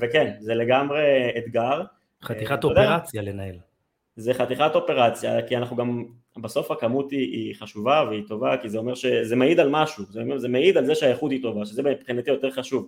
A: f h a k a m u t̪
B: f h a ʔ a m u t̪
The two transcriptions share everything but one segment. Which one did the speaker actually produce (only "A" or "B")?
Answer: A